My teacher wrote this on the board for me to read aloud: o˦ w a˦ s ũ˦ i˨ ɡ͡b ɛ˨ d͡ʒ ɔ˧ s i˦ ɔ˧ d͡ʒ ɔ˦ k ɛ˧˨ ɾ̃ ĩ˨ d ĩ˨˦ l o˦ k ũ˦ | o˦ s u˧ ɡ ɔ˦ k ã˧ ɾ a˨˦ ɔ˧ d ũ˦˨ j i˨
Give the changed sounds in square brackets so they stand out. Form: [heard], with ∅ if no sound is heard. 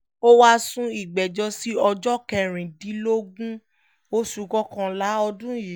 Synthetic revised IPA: o˦ w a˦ s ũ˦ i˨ ɡ͡b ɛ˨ d͡ʒ ɔ˧ s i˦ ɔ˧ d͡ʒ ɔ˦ k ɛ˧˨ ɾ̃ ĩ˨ d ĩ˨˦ l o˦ [ɡ] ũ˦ | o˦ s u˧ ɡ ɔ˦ k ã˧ [l] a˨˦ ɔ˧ d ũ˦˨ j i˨